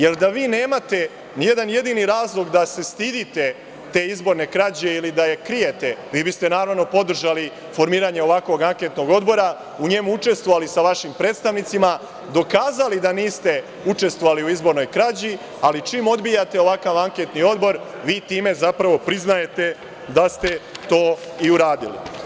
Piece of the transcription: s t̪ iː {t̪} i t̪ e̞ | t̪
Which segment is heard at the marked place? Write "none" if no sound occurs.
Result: d̪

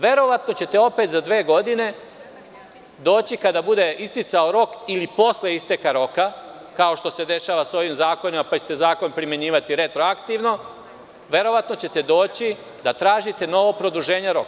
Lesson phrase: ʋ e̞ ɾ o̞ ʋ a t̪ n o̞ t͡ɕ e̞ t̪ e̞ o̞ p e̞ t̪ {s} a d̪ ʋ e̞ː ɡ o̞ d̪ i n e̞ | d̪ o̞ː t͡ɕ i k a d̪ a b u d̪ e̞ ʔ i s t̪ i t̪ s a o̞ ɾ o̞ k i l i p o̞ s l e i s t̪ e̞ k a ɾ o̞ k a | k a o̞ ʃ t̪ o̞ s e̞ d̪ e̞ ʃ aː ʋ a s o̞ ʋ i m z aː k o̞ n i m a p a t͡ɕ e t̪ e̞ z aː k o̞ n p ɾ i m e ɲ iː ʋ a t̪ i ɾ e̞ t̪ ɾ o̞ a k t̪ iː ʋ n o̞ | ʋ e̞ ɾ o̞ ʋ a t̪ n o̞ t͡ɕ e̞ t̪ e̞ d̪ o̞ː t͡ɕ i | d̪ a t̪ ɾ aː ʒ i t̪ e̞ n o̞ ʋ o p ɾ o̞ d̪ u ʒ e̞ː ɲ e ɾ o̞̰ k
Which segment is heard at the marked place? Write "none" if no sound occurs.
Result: z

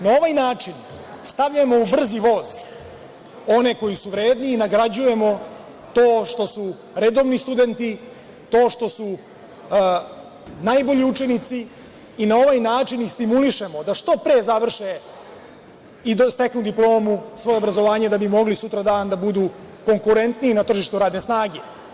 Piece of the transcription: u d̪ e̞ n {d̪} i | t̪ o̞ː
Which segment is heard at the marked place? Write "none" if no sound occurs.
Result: t̪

